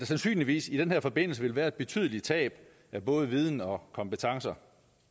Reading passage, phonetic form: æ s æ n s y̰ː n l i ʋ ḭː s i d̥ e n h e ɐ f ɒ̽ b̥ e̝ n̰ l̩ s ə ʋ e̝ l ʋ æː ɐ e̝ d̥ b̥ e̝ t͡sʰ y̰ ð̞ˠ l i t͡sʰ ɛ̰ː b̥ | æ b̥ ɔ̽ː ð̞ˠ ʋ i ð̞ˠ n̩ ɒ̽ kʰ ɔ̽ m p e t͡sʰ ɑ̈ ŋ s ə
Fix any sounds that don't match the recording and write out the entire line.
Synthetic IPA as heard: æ s æ n s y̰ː n l i ʋ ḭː s i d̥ e n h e ɐ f ɒ̽ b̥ e̝ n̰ l̩ s ə ʋ e̝ l ʋ æː ɐ e̝ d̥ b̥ e̝ t͡sʰ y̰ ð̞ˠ l i t͡sʰ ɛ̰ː b̥ | æ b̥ ɔ̽ː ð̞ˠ ʋ i ð̞ˠ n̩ ɒ̽ kʰ ɒ̽ m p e t͡sʰ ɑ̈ ŋ s ɐ